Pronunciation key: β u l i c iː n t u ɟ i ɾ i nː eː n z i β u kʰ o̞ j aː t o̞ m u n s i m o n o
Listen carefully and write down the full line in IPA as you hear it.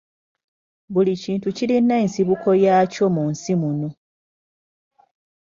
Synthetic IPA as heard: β u l i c iː n t u c i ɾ i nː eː n s i β u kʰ o̞ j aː c o̞ m u n s i m u n o